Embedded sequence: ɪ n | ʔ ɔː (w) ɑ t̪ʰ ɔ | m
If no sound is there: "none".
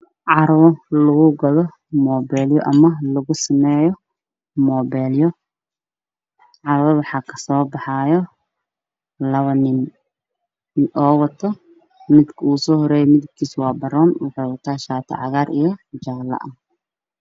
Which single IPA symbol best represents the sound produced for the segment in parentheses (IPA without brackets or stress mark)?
w